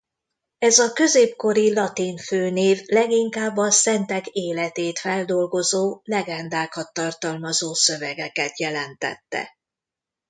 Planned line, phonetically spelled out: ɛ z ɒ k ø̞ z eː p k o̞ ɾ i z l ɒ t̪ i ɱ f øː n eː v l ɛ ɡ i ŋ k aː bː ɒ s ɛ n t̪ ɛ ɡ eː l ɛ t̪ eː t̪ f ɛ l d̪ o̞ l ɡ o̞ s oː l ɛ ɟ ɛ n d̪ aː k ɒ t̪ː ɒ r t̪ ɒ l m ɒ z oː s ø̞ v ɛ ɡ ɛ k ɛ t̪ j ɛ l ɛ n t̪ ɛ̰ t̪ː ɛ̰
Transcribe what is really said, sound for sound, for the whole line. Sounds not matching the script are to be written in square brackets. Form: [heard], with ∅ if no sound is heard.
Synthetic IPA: ɛ z ɒ k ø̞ z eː p k o̞ ɾ i [∅] l ɒ t̪ i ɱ f øː n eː v l ɛ ɡ i ŋ k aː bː ɒ s ɛ n t̪ ɛ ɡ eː l ɛ t̪ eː t̪ f ɛ l d̪ o̞ l ɡ o̞ [z] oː l ɛ [ɡ] ɛ n d̪ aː k ɒ t̪ː ɒ r t̪ ɒ l m ɒ z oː s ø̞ v ɛ ɡ ɛ k ɛ t̪ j ɛ l ɛ n t̪ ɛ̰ t̪ː ɛ̰